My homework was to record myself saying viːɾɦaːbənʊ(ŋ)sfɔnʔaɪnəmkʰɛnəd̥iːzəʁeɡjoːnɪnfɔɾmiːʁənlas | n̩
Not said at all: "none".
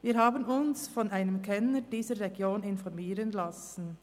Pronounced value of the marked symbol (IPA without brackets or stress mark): n